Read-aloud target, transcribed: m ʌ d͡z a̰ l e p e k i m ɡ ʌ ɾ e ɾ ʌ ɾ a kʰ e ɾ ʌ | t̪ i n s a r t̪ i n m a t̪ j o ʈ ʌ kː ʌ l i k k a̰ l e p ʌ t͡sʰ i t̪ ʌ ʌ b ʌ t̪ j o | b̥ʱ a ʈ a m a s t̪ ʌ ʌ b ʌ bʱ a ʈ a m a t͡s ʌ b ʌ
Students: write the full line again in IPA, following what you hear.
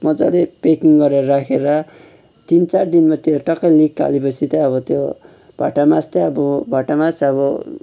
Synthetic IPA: m ʌ d͡z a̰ l e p e k i ŋ ɡ ʌ ɾ e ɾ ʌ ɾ a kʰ e ɾ ʌ | t̪ i n t͡s a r d̪ i n m a t̪ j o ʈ ʌ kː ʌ l i k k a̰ l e p ʌ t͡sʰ i t̪ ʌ ʌ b ʌ t̪ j o | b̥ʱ a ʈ a m a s t̪ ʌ ʌ b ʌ bʱ a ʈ a m a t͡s ʌ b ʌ

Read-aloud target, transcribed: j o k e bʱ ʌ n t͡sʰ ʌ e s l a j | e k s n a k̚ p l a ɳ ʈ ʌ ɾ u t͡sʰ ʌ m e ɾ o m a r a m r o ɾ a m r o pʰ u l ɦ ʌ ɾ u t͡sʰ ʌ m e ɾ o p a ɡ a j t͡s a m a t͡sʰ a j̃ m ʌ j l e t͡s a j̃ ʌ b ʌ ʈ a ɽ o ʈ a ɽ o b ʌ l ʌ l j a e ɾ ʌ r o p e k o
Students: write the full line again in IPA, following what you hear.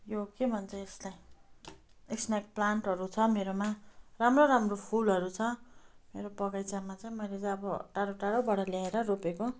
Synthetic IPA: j o k e bʱ ʌ n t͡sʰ ʌ e s l a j | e k s n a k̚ p l a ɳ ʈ ʌ ɾ u t͡sʰ ʌ m e ɾ o m a r a m r o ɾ a m r o pʰ u l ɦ ʌ ɾ u t͡sʰ ʌ m e ɾ o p ʌ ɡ a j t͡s a m a t͡s a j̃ m ʌ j l e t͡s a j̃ ʌ b ʌ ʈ a ɽ o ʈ a ɽ o b ʌ ɽ ʌ l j a e ɾ ʌ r o p e k o

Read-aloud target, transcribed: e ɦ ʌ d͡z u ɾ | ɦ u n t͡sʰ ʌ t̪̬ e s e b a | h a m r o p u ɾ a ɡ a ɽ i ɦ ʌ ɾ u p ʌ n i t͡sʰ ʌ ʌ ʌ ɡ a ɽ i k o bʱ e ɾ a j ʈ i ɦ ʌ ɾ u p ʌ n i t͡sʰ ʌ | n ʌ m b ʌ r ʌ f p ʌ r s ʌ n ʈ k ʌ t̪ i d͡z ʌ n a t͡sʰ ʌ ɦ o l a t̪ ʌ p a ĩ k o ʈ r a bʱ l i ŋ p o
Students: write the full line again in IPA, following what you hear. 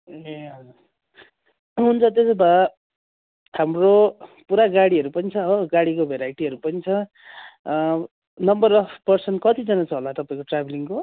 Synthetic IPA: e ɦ ʌ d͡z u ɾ | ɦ u n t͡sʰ ʌ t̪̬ e s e b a | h a m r o p u ɾ a ɡ a ɽ i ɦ ʌ ɾ u p ʌ n i t͡sʰ ʌ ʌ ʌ ɡ a ɽ i k o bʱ e ɾ a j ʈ i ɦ ʌ ɾ u p ʌ n i t͡sʰ ʌ | n ʌ m b ʌ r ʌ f p ʌ r s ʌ n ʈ k ʌ t̪ i d͡z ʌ n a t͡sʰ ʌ ɦ o l a t̪ ʌ p a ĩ k o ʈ r a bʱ l i ŋ k o

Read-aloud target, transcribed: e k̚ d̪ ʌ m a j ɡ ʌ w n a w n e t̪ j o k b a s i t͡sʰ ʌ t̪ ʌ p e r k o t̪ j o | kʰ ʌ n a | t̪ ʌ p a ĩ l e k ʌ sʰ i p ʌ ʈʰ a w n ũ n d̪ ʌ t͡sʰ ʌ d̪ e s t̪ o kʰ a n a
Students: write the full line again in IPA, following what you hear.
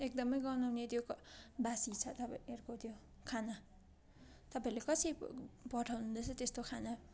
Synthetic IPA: e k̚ d̪ ʌ m ʌ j ɡ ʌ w n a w n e t̪ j o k b a s i t͡sʰ ʌ t̪ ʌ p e r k o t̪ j o | kʰ a n a | t̪ ʌ p a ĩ l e k ʌ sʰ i p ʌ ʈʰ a w n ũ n d̪ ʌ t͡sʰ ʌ t̪ e s t̪ o kʰ a n a

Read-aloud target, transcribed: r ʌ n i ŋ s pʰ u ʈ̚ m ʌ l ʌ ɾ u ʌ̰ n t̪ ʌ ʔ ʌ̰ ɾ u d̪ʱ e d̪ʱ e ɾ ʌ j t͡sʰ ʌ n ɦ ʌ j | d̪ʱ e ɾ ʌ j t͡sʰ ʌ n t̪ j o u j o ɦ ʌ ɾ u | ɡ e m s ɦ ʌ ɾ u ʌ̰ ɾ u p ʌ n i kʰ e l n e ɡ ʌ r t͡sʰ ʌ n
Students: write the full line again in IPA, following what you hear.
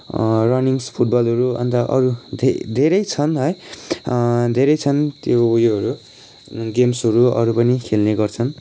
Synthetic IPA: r ʌ n i ŋ s pʰ u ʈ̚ b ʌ l ʌ ɾ u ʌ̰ n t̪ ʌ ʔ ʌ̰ ɾ u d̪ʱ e d̪ʱ e ɾ ʌ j t͡sʰ ʌ n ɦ ʌ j | d̪ʱ e ɾ ʌ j t͡sʰ ʌ n t̪ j o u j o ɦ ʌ ɾ u | ɡ e m s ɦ ʌ ɾ u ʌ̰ ɾ u p ʌ n i kʰ e l n e ɡ ʌ r t͡sʰ ʌ n

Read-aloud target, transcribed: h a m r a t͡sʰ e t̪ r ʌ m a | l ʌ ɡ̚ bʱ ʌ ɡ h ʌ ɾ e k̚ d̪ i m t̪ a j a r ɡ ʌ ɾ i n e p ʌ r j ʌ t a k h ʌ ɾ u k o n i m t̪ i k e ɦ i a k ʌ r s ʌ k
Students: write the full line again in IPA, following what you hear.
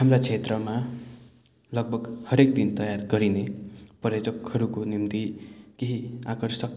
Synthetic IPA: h a m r a t͡sʰ e t̪ r ʌ m a | l ʌ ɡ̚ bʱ ʌ ɡ h ʌ ɾ e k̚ d̪ i n t̪ ʌ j a r ɡ ʌ ɾ i n e p ʌ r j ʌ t ʌ k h ʌ ɾ u k o n i m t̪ i k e ɦ i a k ʌ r s ʌ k

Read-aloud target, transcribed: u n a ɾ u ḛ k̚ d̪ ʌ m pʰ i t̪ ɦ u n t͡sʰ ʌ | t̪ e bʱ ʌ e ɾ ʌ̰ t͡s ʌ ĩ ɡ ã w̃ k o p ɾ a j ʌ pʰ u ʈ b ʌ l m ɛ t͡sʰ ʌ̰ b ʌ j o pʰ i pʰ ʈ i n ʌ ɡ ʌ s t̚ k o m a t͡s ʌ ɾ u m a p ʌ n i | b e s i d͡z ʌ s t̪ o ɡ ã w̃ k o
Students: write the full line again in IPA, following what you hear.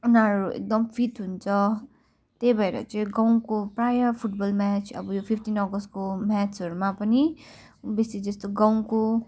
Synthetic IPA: u n a ɾ u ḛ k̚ d̪ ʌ m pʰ i t̪ ɦ u n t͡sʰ ʌ | t̪ e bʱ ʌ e ɾ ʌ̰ t͡s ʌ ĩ ɡ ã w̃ k o p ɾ a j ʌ pʰ u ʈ b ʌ l m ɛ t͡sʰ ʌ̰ b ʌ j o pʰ i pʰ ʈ i n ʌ ɡ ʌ s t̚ k o m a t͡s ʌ ɾ u m a p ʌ n i | b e s i d͡z ʌ s t̪ o ɡ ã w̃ k o

